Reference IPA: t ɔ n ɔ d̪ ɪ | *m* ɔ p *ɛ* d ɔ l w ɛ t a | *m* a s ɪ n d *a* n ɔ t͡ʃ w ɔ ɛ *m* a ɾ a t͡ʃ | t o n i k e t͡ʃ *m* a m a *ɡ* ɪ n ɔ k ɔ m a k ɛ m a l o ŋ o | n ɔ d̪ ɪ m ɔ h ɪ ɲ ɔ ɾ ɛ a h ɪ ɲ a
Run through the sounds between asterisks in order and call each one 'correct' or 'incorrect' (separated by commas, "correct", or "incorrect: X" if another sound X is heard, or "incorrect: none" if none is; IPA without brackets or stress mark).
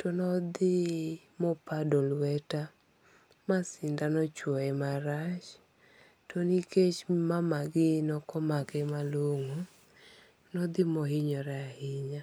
correct, incorrect: a, correct, correct, correct, correct, correct